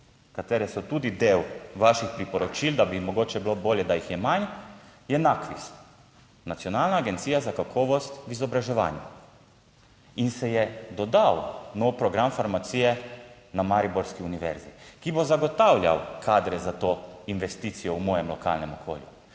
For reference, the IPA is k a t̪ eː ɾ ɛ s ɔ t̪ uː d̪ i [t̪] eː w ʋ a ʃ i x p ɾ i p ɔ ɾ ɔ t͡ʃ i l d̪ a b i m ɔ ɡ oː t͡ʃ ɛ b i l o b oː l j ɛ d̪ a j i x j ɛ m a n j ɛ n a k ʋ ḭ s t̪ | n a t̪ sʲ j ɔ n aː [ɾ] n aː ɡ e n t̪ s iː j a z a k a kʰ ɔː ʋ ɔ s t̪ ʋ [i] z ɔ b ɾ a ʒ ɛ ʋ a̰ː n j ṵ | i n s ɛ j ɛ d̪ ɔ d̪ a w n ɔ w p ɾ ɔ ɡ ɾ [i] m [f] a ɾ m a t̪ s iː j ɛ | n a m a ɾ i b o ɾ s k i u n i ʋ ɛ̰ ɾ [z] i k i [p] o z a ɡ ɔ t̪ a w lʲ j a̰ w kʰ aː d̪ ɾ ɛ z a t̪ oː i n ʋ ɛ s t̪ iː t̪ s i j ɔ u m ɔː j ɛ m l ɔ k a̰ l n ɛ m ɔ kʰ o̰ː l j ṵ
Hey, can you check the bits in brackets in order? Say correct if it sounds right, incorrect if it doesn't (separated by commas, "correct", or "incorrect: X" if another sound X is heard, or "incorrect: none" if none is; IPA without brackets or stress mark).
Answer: incorrect: d̪, incorrect: l, correct, incorrect: a, correct, correct, incorrect: b